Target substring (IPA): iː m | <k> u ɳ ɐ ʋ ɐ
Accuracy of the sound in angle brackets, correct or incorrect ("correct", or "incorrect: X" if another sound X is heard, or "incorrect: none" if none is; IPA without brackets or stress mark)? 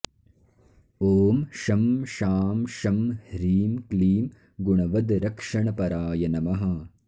incorrect: ɡ